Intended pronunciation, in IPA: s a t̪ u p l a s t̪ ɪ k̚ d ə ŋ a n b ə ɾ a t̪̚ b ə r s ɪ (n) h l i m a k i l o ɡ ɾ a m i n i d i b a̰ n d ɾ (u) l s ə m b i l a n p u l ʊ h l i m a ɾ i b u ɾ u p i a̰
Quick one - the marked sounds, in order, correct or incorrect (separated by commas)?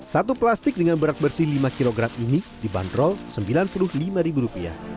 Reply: incorrect, incorrect